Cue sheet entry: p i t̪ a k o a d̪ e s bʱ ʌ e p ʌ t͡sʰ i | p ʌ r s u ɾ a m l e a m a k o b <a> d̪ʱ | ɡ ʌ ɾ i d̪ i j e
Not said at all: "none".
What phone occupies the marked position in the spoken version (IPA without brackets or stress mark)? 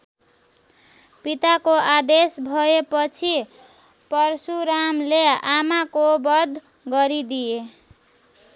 ʌ